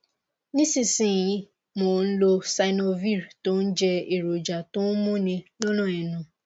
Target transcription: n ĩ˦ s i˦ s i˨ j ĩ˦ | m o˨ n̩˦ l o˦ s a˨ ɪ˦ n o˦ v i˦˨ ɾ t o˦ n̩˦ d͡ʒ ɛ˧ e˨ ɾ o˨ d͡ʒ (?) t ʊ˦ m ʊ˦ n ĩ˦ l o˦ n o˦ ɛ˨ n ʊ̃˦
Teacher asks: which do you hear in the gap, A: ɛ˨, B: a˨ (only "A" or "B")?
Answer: B